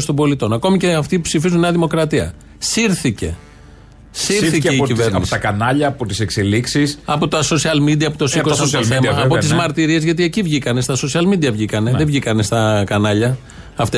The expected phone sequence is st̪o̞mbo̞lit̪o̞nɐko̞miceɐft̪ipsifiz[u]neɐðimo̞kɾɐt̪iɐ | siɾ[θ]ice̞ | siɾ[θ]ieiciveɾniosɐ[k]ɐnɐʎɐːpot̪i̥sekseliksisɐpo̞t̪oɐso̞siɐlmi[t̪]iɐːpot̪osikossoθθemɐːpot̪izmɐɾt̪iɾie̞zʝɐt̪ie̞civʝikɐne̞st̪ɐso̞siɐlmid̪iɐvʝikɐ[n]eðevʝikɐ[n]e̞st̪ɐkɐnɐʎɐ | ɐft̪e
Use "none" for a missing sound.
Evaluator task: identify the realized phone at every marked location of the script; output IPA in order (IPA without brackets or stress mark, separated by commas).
u, θ, θ, k, d̪, n, n